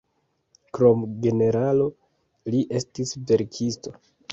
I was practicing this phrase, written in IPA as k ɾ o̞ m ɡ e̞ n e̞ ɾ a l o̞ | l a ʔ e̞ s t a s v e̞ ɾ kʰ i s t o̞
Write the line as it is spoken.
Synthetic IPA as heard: k ɾ o̞ m ɡ e̞ n e̞ ɾ a l o̞ | l i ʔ e̞ s t i s v e̞ ɾ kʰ i s t o̞